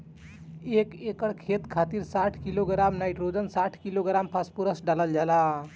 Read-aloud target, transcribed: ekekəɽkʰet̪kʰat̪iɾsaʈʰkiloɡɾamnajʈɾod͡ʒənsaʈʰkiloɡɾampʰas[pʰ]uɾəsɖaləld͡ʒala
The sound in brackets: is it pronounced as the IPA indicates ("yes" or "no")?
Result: no